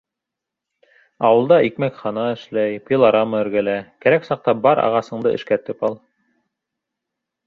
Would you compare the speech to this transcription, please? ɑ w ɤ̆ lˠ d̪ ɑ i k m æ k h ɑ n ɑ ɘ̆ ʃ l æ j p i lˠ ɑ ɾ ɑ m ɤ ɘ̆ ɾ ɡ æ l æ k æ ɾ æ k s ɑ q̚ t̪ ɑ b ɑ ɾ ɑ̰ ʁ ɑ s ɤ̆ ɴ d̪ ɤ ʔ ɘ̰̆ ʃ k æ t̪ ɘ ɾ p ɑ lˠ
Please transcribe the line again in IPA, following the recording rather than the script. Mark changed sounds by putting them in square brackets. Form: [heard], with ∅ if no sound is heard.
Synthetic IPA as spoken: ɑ w ɤ̆ lˠ d̪ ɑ i k m æ k [χ] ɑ n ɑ ɘ̆ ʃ l æ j p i lˠ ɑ ɾ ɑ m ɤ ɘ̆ ɾ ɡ æ l æ k æ ɾ æ k s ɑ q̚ t̪ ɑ b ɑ ɾ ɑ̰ ʁ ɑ s ɤ̆ ɴ d̪ ɤ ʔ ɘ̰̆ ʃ k æ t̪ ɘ [∅] p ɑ lˠ